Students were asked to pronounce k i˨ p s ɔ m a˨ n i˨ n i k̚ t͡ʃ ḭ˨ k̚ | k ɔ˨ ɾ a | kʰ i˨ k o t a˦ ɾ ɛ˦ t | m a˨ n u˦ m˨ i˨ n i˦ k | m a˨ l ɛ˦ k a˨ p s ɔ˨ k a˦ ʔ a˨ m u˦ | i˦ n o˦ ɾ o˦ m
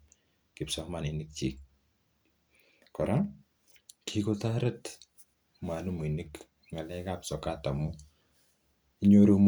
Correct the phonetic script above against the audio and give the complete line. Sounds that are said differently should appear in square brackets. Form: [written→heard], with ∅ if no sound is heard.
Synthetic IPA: k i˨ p s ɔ m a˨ n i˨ n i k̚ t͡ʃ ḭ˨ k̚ | k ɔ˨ ɾ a | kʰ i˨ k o t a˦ ɾ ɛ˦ t | m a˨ n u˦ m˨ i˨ n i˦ k | [m→ŋ] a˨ l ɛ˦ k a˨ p s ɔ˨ k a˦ [ʔ→t] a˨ m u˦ | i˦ [n→ɲ] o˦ ɾ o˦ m